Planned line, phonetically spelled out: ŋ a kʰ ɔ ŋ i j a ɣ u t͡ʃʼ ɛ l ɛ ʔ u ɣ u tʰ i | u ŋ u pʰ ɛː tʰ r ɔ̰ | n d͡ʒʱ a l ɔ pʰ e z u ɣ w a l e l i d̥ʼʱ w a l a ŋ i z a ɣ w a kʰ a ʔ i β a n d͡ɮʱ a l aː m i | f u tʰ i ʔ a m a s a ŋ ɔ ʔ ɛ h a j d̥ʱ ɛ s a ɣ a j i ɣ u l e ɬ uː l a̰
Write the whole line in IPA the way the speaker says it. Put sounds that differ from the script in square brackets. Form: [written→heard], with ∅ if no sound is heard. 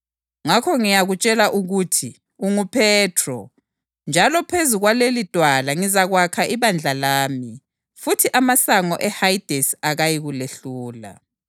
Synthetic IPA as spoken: ŋ a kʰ ɔ ŋ i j a ɣ u t͡ʃʼ ɛ l [ɛ→a] ʔ u ɣ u tʰ i | u ŋ u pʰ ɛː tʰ r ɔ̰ | n d͡ʒʱ a l ɔ pʰ e z u ɣ w a l e l i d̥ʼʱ w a l a ŋ i z a ɣ w a kʰ a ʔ i β a n d͡ɮʱ a l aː m i | f u tʰ i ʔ a m a s a ŋ ɔ ʔ ɛ h a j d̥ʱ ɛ s a ɣ a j i ɣ u l e ɬ uː l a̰

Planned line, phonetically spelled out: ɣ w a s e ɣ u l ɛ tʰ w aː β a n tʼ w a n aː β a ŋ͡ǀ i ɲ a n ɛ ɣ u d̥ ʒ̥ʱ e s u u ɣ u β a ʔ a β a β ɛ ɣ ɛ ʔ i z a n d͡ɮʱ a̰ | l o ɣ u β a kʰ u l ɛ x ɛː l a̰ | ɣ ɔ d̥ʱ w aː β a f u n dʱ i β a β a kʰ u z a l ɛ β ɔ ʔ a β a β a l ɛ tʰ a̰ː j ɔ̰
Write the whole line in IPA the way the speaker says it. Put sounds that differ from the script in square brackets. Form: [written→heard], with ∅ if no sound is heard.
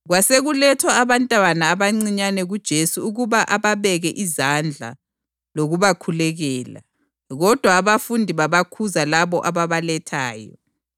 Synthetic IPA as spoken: ɣ w a s e ɣ u l ɛ tʰ w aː β a n tʼ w a n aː β a ŋ͡ǀ i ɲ a n ɛ ɣ u d̥ ʒ̥ʱ e s u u ɣ u β a ʔ a β a β ɛ ɣ ɛ ʔ i z a n d͡ɮʱ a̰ | l o ɣ u β a kʰ u l ɛ [x→ɣ] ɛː l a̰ | ɣ ɔ d̥ʱ w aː β a f u n dʱ i β a β a kʰ u z a l [ɛ→a] β ɔ ʔ a β a β a l ɛ tʰ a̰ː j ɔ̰

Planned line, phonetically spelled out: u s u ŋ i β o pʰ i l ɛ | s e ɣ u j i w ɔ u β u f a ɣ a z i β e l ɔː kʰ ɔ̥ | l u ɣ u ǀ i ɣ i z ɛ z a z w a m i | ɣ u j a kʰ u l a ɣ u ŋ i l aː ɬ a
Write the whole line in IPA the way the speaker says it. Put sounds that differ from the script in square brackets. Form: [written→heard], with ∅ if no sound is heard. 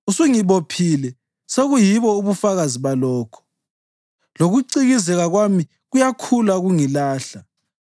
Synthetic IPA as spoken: u s u ŋ i β o pʰ i l ɛ | s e ɣ u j i [w→β] ɔ u β u f a ɣ a z i β [e→a] l ɔː kʰ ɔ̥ | l [u→o] ɣ u ǀ i ɣ i z ɛ [z→ɣ] a [z→ɣ] w a m i | ɣ u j a kʰ u l a ɣ u ŋ i l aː ɬ a

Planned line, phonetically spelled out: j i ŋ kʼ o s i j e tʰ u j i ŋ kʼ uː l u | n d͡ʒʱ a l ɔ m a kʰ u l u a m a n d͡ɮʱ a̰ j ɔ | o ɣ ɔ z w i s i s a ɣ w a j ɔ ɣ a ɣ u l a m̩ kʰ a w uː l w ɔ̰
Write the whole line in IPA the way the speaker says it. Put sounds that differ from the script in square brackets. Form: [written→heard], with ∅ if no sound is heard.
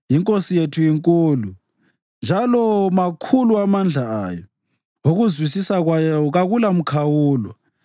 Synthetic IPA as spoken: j i ŋ kʼ o s i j e tʰ u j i ŋ kʼ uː l u | n d͡ʒʱ a l ɔ m a kʰ u l u a m a n d͡ɮʱ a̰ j ɔ | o ɣ [ɔ→u] z w i s i s a ɣ w a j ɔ ɣ a ɣ u l a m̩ kʰ a w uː l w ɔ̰

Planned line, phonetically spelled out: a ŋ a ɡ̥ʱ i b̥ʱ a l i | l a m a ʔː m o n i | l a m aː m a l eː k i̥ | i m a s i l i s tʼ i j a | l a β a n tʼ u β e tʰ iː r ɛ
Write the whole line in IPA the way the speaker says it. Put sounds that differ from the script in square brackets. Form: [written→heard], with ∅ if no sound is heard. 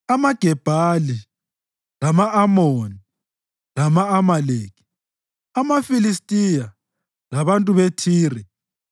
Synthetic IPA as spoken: a [ŋ→m] a ɡ̥ʱ [i→ɛ] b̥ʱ a l i | l a m a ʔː m o n i | l a m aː m a l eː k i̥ | [i→a] m a [s→f] i l i s tʼ i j a | l a β a n tʼ u β e tʰ iː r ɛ

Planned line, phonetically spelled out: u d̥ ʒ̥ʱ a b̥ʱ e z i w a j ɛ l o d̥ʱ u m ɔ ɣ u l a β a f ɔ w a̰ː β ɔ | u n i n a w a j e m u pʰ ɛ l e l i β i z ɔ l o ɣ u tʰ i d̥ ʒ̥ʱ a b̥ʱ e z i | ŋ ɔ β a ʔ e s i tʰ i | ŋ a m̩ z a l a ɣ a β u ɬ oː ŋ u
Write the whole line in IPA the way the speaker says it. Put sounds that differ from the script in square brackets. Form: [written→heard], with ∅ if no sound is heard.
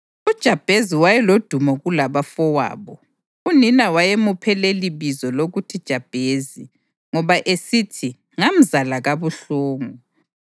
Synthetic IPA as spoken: u d̥ ʒ̥ʱ a b̥ʱ e z i w a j ɛ l o d̥ʱ u m ɔ ɣ u l a β a f ɔ w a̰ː β ɔ | u n i n a w a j e m u pʰ ɛ l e l i β i z ɔ l o ɣ u tʰ i d̥ ʒ̥ʱ a b̥ʱ e z i | ŋ ɔ β a ʔ e s i tʰ i | ŋ a m̩ z a l a ɣ a β u ɬ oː ŋ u

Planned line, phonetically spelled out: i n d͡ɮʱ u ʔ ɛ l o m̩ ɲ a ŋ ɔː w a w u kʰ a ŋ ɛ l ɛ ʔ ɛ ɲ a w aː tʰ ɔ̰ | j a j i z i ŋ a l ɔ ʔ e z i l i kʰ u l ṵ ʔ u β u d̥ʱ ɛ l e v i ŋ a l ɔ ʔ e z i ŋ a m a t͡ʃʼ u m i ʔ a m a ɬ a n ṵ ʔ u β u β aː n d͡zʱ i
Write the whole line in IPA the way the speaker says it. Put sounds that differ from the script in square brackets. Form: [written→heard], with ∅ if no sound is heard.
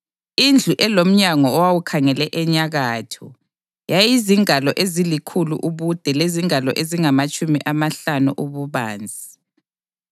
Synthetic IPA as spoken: i n d͡ɮʱ u ʔ ɛ l o m̩ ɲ a ŋ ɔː w a w u kʰ a ŋ ɛ l ɛ ʔ ɛ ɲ a [w→ɣ] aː tʰ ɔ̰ | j a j i z i ŋ a l ɔ ʔ e z i l i kʰ u l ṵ ʔ u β u d̥ʱ ɛ l e [v→z] i ŋ a l ɔ ʔ e z i ŋ a m a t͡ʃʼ u m i ʔ a m a ɬ a n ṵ ʔ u β u β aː n d͡zʱ i

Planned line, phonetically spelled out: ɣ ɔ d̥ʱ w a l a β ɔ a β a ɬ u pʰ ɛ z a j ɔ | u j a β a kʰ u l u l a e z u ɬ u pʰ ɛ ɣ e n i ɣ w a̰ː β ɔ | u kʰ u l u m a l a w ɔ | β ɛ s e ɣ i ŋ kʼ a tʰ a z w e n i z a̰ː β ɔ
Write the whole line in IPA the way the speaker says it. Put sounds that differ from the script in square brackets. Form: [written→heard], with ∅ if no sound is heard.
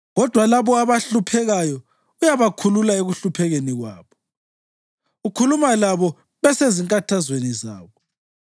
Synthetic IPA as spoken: ɣ ɔ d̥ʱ w a l a β ɔ a β a ɬ u pʰ ɛ [z→ɣ] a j ɔ | u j a β a kʰ u l u l a e [z→ɣ] u ɬ u pʰ ɛ ɣ e n i ɣ w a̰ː β ɔ | u kʰ u l u m a l a [w→β] ɔ | β ɛ s e [ɣ→z] i ŋ kʼ a tʰ a z w e n i z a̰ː β ɔ

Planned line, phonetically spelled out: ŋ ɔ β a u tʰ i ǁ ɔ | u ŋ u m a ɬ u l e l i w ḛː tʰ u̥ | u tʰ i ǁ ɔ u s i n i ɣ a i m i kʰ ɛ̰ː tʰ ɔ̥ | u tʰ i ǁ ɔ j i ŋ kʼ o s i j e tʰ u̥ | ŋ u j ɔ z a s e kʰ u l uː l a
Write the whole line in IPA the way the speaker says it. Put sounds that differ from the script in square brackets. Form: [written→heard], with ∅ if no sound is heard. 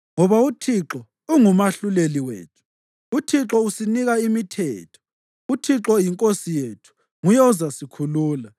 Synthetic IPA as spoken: ŋ ɔ β a u tʰ i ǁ ɔ | u ŋ u m a ɬ u l e l i w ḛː tʰ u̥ | u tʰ i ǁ ɔ u s i n i ɣ a i m i [kʰ→tʰ] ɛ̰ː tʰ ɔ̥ | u tʰ i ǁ ɔ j i ŋ kʼ o s i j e tʰ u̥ | ŋ u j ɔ z a s [e→i] kʰ u l uː l a

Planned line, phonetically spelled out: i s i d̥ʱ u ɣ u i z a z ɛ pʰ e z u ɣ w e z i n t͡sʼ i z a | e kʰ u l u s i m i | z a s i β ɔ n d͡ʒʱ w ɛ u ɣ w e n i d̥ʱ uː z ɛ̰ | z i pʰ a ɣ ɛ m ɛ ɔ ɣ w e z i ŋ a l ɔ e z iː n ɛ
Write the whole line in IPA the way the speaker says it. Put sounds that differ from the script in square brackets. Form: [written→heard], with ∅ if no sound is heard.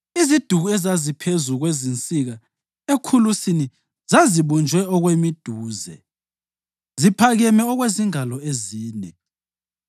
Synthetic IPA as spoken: i [s→z] i d̥ʱ u ɣ u [i→ɛ] z a z [ɛ→i] pʰ e z u ɣ w e z i n t͡sʼ i [z→ɣ] a | e kʰ u l u s i [m→n] i | z a [s→z] i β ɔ n d͡ʒʱ w ɛ [u→ɔ] ɣ w e [n→m] i d̥ʱ uː z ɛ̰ | z i pʰ a ɣ ɛ m ɛ ɔ ɣ w e z i ŋ a l ɔ e z iː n ɛ

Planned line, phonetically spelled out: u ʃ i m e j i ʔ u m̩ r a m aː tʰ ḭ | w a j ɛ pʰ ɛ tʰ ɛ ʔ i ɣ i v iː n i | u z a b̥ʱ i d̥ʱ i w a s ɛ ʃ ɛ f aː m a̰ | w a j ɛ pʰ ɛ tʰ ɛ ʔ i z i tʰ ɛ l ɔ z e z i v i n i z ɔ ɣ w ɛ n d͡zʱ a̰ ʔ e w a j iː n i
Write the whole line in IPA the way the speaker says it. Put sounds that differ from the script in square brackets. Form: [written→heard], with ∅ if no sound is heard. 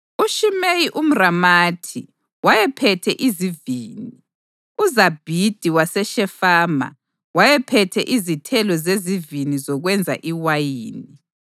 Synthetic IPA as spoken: u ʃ i m e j i ʔ u m̩ r a m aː tʰ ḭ | w a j ɛ pʰ ɛ tʰ ɛ ʔ i [ɣ→z] i v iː n i | u z a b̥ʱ i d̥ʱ i w a s ɛ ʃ ɛ f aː m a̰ | w a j ɛ pʰ ɛ tʰ ɛ ʔ i z i tʰ ɛ l ɔ z e z i v i n i z ɔ ɣ w ɛ n d͡zʱ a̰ ʔ [e→i] w a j iː n i

